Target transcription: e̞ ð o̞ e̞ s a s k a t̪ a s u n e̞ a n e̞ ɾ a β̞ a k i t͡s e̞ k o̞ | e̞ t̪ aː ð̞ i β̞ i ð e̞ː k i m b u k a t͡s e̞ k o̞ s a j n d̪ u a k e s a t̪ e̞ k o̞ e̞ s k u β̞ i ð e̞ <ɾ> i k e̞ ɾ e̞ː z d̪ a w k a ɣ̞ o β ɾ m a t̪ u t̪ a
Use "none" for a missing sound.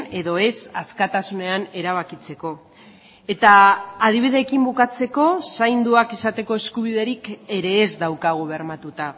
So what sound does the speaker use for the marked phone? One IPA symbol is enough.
ɾ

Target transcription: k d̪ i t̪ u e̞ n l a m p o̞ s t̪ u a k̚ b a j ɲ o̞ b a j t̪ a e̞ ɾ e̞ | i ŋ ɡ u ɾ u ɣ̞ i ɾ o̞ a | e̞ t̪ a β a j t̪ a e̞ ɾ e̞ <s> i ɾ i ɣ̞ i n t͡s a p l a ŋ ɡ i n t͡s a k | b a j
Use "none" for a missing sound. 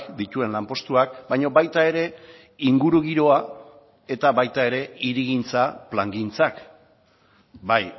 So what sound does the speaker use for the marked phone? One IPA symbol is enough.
none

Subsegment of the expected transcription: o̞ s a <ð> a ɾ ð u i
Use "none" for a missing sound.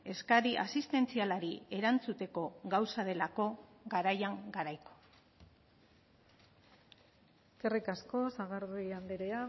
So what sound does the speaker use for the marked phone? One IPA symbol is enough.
ɣ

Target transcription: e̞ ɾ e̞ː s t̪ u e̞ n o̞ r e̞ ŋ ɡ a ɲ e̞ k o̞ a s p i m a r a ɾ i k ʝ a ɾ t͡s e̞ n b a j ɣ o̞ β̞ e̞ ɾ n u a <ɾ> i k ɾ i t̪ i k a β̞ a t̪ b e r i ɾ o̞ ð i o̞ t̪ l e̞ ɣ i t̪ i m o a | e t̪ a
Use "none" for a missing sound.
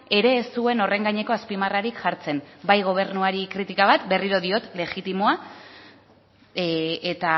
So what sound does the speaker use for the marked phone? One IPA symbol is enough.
ɾ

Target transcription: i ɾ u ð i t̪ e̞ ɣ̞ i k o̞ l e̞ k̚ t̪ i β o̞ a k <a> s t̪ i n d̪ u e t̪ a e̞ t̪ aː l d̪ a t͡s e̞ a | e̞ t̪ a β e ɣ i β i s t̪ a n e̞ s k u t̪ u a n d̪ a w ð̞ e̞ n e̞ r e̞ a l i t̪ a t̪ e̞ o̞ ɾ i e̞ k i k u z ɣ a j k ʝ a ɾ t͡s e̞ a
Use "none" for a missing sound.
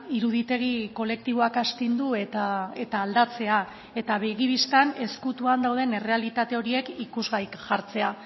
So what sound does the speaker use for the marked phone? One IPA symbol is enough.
a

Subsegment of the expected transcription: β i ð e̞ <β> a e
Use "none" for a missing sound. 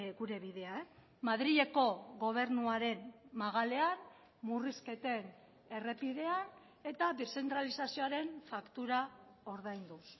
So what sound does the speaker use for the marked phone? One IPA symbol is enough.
none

